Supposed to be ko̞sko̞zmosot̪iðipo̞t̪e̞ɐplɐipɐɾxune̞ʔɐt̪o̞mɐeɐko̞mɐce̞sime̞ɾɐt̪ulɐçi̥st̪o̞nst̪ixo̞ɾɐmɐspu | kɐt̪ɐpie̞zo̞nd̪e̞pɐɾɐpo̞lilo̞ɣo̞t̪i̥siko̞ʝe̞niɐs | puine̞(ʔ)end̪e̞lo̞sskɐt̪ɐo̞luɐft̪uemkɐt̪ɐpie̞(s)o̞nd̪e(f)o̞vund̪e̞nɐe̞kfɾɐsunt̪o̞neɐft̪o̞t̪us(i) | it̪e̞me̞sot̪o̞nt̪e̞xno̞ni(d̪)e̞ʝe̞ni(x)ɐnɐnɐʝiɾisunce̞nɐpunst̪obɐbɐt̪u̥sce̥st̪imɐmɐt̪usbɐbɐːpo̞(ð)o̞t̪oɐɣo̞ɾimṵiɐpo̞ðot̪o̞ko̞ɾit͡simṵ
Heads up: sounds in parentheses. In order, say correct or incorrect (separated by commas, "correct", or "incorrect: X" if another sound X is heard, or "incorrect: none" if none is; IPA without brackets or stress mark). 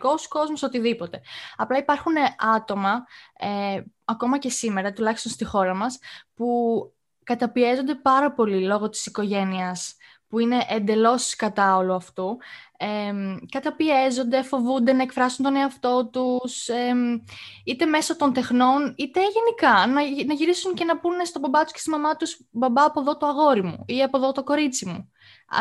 correct, incorrect: z, correct, incorrect: e, incorrect: t̪, incorrect: k, correct